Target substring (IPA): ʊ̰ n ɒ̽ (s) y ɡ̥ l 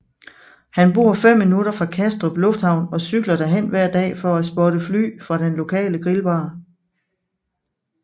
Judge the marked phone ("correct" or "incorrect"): correct